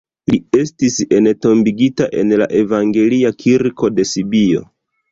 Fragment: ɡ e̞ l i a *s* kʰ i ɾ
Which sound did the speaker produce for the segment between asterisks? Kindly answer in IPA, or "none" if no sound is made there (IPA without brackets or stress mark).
none